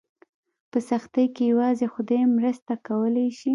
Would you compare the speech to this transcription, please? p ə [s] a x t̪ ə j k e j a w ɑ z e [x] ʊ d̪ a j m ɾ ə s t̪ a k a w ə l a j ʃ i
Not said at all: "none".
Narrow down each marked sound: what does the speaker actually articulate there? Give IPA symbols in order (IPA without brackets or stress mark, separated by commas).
s, x